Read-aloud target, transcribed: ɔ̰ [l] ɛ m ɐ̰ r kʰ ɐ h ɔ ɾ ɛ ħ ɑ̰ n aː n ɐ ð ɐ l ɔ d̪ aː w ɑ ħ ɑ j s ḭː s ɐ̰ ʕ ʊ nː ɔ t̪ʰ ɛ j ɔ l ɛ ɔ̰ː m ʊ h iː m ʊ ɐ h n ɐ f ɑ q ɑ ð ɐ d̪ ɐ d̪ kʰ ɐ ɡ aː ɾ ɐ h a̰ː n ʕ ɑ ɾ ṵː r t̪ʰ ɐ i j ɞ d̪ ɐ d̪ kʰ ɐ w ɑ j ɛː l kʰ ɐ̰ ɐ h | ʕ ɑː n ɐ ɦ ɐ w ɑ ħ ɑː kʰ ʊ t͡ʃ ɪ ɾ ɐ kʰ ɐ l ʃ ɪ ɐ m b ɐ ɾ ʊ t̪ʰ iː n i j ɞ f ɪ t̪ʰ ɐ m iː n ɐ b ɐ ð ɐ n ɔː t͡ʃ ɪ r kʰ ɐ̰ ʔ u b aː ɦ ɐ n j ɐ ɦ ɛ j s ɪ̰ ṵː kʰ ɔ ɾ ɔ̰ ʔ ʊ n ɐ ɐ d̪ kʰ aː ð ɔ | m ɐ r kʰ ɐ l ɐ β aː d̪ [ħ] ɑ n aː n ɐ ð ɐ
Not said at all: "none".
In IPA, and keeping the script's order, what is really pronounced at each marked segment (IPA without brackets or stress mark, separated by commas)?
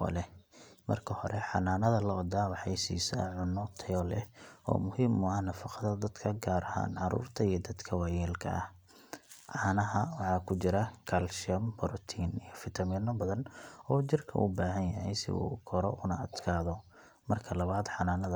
l, ħ